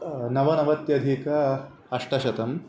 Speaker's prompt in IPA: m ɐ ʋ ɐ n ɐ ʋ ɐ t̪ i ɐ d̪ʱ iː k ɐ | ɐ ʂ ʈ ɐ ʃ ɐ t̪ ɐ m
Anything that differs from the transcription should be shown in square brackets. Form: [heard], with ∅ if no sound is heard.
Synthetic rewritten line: [n] ɐ ʋ ɐ n ɐ ʋ ɐ t̪ [j] ɐ d̪ʱ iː k ɐ | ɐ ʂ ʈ ɐ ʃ ɐ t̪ ɐ m